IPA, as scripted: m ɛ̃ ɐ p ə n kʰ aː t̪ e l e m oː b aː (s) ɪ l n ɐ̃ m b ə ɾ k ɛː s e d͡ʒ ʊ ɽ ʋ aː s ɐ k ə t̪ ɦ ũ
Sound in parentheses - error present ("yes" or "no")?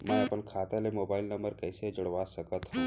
yes